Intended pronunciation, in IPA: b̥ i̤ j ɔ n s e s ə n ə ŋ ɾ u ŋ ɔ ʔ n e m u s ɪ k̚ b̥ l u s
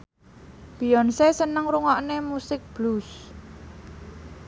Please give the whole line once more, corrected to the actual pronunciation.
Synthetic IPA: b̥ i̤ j ɔ n s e s ə n ə ŋ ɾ u ŋ ɔ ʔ n e m u s ɪ k̚ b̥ l u s

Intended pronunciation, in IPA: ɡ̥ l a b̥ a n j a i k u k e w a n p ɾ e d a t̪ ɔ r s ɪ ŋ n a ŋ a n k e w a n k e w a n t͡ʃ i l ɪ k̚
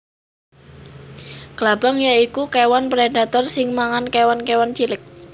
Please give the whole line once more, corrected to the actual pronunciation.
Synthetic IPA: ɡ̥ l a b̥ a ŋ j a i k u k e w a n p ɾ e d a t̪ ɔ r s ɪ ŋ m a ŋ a n k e w a n k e w a n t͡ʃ i l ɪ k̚

